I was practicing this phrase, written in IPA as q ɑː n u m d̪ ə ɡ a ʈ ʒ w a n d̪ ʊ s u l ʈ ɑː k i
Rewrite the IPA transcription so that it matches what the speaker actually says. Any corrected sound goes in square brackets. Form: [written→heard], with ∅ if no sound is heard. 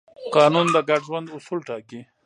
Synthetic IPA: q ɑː n u [m→n] d̪ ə ɡ a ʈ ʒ w a n d̪ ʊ s u l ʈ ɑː k i